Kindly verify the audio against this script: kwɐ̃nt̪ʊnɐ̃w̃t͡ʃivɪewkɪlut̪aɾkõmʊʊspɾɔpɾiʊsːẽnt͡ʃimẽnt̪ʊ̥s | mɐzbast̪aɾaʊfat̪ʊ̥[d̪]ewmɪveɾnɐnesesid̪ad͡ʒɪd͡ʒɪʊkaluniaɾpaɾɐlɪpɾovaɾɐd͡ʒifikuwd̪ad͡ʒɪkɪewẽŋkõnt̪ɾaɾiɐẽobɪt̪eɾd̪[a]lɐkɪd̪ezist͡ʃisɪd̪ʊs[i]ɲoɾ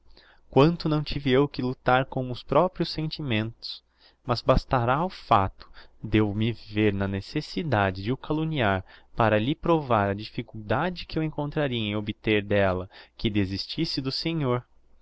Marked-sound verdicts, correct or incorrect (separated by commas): correct, incorrect, incorrect